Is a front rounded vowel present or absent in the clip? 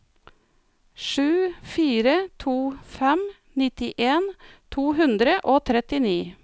absent